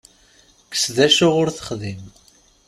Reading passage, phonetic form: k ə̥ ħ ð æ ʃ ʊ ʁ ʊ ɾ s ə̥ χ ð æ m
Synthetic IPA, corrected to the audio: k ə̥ s ð æ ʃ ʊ ʁ ʊ ɾ θ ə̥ χ ð i m